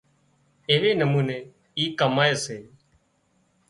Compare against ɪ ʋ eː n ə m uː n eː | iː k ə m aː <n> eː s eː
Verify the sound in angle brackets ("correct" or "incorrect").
incorrect